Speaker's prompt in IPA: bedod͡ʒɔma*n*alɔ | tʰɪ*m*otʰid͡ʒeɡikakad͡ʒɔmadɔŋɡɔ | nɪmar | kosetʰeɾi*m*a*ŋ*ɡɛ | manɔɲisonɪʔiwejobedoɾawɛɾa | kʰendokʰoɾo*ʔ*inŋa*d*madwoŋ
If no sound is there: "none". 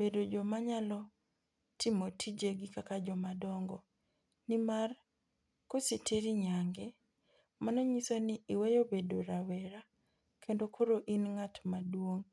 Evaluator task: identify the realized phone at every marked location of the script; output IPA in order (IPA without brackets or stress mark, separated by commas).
ɲ, m, ɲ, ŋ, ʔ, t